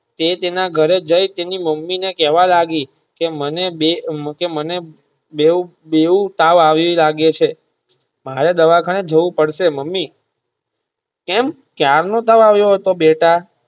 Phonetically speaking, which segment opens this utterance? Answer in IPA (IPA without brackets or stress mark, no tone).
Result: t̪